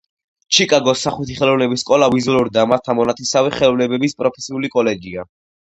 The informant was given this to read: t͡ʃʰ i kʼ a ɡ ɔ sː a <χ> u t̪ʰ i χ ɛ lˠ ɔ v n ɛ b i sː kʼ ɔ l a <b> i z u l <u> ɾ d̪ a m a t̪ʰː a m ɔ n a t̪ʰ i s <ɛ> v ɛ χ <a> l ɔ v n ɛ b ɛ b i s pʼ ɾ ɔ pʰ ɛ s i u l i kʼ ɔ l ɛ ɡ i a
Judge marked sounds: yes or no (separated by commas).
yes, no, yes, no, no